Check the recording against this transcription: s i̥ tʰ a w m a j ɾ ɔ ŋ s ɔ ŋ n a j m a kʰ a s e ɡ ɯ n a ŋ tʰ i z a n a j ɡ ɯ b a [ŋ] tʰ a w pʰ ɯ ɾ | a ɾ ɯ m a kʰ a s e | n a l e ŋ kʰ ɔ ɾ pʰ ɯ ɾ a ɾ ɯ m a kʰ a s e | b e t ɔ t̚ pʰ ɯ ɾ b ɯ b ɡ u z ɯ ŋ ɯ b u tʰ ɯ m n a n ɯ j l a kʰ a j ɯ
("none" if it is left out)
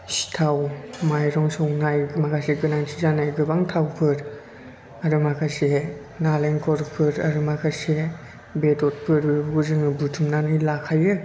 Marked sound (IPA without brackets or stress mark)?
ŋ